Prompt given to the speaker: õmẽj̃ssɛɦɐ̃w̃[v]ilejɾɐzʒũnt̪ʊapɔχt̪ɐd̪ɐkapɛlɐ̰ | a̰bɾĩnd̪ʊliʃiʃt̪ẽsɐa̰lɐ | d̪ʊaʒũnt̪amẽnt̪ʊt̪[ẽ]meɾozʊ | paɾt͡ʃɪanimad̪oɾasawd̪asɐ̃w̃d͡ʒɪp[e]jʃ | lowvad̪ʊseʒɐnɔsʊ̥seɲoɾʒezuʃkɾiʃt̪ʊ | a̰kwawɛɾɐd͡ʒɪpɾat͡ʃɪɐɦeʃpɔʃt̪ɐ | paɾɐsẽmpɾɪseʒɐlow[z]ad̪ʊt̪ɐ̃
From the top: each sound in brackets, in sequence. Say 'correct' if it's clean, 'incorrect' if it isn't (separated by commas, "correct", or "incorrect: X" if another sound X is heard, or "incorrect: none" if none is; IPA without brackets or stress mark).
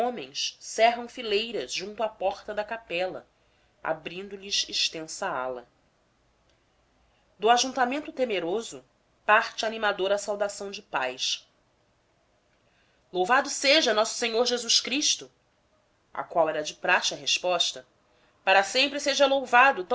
incorrect: f, incorrect: e, incorrect: a, incorrect: v